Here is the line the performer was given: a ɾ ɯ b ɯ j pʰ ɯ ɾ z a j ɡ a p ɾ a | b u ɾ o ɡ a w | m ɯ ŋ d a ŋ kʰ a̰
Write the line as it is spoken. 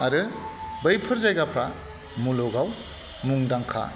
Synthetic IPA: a ɾ ɯ b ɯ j pʰ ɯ ɾ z a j ɡ a pʰ ɾ a | m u l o ɡ a w | m u ŋ d a ŋ kʰ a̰